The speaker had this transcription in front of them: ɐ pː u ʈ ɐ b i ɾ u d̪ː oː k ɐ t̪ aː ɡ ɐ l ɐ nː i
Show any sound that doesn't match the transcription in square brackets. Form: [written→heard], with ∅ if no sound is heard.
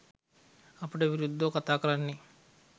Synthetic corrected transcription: ɐ pː u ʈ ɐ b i ɾ u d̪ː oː k ɐ t̪ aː [ɡ→k] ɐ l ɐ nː i